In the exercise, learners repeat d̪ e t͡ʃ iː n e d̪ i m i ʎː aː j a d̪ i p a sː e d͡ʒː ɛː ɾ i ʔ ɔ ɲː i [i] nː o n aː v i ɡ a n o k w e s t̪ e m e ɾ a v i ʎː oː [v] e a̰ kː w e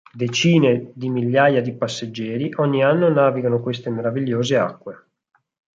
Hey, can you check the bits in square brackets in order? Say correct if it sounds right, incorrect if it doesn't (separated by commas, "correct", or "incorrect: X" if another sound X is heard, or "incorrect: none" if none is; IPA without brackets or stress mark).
incorrect: a, incorrect: z